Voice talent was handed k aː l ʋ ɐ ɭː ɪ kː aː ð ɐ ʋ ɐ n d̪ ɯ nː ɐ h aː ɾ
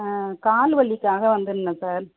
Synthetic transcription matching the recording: k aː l ʋ ɐ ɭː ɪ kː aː ɣ ɐ ʋ ɐ n d̪ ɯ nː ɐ s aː ɾ

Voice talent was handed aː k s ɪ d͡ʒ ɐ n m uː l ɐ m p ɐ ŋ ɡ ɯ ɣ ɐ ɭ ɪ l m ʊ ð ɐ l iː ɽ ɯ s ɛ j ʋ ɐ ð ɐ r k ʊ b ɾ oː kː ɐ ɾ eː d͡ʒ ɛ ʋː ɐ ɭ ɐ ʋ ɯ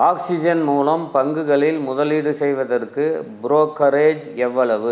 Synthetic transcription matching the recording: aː k s ɪ d͡ʒ ɐ n m uː l ɐ m p ɐ ŋ ɡ ɯ ɣ ɐ ɭ ɪ l m ʊ ð ɐ l iː ɽ ɯ s ɛ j ʋ ɐ ð ɐ r k ɯ b ɾ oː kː ɐ ɾ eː d͡ʒ ɛ ʋː ɐ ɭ ɐ ʋ ɯ

